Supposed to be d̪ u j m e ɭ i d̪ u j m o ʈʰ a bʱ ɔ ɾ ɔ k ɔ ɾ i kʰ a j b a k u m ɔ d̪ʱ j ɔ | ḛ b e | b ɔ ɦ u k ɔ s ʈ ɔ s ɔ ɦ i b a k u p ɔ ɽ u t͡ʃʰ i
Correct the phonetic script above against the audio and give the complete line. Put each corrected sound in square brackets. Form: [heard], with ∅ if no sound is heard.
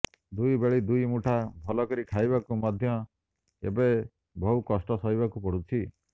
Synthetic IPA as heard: d̪ u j [b] e ɭ i d̪ u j m [u] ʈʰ a bʱ ɔ [l] ɔ k ɔ ɾ i kʰ a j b a k u m ɔ d̪ʱ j ɔ | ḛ b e | b ɔ ɦ u k ɔ s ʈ ɔ s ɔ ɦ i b a k u p ɔ ɽ u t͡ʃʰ i